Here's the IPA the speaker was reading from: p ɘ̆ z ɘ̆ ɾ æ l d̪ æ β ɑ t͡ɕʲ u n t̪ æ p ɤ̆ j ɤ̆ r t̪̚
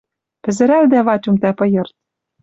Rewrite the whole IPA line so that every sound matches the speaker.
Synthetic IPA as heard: p ɘ̆ z ɘ̆ ɾ æ l d̪ æ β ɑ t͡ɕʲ u m t̪ æ p ɤ̆ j ɤ̆ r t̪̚